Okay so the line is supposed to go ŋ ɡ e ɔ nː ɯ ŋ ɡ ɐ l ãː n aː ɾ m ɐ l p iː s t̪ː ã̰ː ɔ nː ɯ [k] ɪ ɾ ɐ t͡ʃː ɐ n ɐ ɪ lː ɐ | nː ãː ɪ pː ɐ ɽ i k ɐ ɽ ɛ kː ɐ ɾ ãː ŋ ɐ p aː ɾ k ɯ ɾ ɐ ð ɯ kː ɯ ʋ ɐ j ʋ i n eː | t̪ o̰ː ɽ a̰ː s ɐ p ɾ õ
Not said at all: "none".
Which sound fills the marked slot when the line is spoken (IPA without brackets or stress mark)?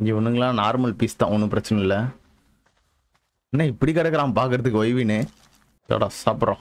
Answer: p